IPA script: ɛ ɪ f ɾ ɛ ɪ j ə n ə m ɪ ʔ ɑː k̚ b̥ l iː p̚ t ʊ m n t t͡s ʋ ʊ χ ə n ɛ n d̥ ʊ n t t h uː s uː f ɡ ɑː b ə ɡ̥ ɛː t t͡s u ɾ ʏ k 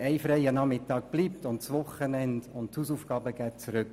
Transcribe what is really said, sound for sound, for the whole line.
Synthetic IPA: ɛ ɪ f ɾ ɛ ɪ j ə n ɑ m ɪ t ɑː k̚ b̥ l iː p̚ t ʊ n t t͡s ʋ ʊ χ ə n ɛ n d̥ ʊ n t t h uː s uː f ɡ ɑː b ə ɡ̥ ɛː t t͡s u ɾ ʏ k

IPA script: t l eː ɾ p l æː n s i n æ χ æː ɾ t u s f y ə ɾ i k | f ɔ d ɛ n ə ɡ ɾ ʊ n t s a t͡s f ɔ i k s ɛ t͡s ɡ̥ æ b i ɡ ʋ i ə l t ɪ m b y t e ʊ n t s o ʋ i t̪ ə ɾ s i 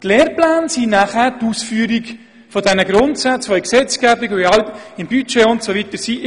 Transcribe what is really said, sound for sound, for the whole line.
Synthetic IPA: t l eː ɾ p l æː n s i n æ χ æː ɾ t u s f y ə ɾ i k | f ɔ d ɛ n ə ɡ ɾ ʊ n t s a t͡s f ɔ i k s ɛ t͡s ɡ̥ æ b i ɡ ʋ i ɑ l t ɪ m b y t͡ʃ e ʊ n t s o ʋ i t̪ ə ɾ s i

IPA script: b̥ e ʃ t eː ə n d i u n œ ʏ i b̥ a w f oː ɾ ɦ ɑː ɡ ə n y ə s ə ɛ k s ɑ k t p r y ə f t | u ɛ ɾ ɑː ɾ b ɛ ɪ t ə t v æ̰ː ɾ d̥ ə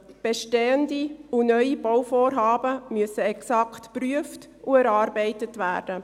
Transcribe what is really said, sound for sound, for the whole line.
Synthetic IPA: b̥ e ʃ t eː ə n d i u n œ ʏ i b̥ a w f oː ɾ ɦ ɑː b ə m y ə s ə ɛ k s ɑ k t p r y ə f t | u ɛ ɾ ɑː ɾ b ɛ ɪ t ə t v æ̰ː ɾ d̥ ə

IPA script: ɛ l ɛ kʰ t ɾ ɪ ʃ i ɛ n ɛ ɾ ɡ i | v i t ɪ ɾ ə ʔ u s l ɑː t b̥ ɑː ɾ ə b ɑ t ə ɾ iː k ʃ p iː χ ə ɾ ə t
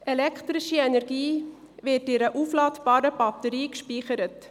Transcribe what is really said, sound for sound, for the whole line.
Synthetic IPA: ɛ l ɛ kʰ t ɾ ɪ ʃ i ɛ n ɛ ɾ ɡ iː | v ɪ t ɪ ɾ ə ʔ u f l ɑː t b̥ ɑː ɾ ə b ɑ t ə ɾ iː k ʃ p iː χ ə ɾ ə t

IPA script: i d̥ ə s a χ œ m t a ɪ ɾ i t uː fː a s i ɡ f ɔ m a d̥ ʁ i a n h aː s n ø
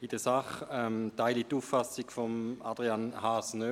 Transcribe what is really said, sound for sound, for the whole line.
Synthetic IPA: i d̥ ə s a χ ɛ m t a ɪ l i t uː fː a s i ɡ f ɔ m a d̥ ʁ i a n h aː s n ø

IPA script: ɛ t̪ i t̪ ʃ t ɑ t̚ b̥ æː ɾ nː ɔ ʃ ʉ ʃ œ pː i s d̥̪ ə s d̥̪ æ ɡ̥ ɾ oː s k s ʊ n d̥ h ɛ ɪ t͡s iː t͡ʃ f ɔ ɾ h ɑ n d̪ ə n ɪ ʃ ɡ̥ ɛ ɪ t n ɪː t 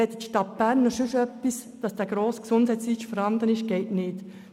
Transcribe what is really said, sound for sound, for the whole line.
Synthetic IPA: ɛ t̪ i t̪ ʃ t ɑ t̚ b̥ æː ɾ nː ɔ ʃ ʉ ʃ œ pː i s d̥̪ ɑ s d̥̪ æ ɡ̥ ɾ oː s k s ʊ n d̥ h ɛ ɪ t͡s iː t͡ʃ f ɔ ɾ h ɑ n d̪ ə n ɪ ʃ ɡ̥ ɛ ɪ t n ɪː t

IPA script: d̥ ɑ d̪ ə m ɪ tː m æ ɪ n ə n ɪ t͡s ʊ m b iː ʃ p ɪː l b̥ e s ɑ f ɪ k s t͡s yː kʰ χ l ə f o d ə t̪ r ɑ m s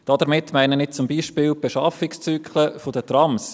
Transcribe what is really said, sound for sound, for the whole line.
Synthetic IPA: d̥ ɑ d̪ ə m ɪ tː m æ ɪ n ə n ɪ t͡s ʊ m b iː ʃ p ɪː l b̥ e ʃ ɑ f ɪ k s t͡s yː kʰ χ l ə f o d ə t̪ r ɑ m s

